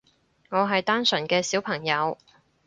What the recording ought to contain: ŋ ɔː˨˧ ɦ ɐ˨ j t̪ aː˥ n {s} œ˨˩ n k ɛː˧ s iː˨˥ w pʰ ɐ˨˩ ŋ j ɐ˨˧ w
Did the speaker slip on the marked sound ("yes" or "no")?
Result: no